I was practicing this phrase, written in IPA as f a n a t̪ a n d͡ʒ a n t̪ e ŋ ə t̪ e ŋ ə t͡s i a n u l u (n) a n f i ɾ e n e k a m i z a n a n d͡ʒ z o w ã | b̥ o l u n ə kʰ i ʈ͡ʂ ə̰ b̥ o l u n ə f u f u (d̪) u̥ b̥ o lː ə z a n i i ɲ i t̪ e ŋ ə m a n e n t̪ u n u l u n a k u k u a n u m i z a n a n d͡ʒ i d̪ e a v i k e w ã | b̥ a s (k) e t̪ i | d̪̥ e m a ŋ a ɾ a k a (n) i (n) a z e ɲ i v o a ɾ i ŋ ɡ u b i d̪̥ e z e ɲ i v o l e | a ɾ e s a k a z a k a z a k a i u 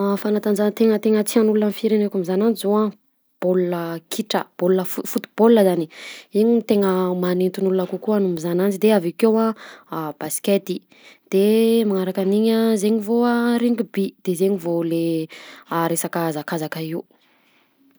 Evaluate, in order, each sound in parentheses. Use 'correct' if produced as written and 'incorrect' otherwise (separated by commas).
correct, incorrect, correct, correct, incorrect